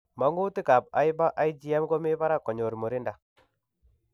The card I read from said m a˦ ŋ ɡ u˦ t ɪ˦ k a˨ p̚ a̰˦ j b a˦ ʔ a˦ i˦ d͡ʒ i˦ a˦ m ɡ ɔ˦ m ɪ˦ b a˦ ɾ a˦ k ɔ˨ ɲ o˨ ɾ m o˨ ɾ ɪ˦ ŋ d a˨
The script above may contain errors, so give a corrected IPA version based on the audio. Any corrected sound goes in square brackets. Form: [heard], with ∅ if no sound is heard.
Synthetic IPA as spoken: m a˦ ŋ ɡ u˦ t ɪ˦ k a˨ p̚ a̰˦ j b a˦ ʔ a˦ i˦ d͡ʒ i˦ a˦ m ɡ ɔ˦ m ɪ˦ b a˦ ɾ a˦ k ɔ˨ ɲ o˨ ɾ m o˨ ɾ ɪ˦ [n] d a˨